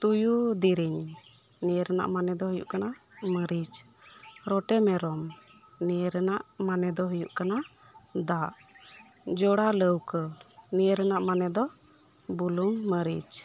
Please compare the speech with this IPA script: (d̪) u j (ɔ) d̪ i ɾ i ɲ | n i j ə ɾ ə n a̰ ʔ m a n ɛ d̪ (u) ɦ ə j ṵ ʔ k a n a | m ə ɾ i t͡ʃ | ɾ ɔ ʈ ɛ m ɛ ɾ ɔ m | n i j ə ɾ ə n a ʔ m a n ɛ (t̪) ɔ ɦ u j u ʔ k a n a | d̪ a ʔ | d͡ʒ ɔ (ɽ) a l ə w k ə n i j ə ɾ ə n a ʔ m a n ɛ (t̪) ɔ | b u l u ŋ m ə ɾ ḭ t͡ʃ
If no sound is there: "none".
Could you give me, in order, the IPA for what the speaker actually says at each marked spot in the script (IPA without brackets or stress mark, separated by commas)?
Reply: t̪, u, ɔ, d̪, ɽ, d̪